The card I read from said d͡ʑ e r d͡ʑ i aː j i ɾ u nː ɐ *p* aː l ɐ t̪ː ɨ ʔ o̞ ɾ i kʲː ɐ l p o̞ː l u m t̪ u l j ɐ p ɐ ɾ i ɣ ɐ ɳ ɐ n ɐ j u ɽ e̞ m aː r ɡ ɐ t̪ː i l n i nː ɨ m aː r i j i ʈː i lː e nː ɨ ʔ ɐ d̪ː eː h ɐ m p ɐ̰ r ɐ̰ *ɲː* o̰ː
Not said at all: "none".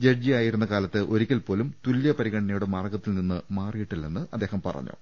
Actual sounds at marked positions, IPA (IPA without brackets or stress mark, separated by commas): k, ɲː